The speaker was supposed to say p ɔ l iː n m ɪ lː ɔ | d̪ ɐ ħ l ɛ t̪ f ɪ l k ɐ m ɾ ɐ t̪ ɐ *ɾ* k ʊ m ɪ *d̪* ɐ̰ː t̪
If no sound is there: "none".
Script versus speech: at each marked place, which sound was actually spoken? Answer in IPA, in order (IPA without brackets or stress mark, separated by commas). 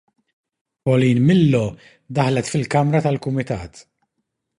l, t̪